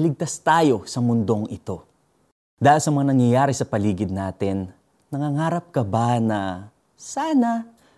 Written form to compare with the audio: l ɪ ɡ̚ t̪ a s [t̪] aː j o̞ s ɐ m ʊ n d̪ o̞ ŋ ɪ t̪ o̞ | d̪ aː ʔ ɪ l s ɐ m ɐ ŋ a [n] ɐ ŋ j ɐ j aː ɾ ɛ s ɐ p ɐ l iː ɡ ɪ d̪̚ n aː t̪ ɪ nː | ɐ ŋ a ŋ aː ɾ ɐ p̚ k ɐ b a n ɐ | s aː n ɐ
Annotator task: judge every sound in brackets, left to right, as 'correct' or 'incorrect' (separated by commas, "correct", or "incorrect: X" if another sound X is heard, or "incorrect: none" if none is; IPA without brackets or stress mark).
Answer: correct, correct